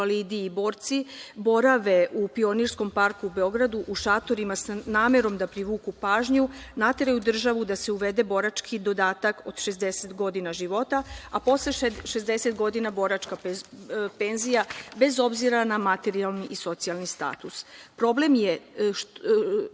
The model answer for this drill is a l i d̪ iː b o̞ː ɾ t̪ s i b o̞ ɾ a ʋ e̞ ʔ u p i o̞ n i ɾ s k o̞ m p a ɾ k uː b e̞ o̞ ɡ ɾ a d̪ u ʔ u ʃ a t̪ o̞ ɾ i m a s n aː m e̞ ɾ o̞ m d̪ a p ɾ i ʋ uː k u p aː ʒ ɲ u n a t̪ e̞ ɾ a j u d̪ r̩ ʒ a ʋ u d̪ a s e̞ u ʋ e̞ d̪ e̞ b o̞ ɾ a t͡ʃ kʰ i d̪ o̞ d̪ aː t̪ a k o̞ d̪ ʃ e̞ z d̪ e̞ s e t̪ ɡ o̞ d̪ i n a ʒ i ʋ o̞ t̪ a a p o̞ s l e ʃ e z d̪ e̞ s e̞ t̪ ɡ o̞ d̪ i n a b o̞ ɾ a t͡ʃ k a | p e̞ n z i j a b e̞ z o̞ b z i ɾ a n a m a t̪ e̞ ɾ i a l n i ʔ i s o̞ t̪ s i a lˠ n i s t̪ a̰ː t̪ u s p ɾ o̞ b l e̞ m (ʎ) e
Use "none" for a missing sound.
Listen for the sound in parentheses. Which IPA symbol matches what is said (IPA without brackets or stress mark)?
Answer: j